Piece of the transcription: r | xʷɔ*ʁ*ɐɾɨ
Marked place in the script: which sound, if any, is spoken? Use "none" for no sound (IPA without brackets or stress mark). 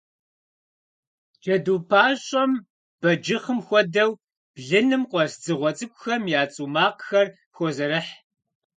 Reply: z